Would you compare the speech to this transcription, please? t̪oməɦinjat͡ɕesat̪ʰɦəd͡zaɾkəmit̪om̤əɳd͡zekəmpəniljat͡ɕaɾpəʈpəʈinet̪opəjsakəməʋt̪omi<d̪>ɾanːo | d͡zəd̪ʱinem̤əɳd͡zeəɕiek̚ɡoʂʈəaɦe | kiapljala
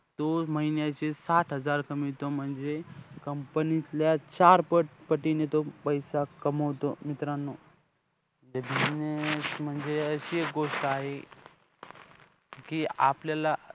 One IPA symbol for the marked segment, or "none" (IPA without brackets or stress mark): t̪